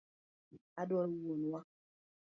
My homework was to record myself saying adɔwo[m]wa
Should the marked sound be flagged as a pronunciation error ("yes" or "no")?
yes